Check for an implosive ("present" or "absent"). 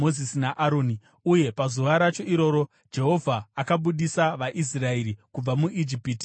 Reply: present